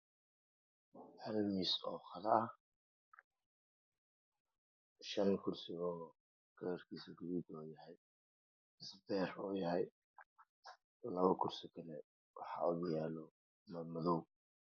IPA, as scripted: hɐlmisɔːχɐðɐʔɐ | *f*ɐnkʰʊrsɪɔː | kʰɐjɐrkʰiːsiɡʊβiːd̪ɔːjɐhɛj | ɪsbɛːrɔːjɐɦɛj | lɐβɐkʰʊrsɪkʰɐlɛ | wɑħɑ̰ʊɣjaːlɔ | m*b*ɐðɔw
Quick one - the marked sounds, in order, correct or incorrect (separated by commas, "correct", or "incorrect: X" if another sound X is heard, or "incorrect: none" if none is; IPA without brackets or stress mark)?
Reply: incorrect: ʃ, incorrect: m